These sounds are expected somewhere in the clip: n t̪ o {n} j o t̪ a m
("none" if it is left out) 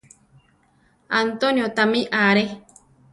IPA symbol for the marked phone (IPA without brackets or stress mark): n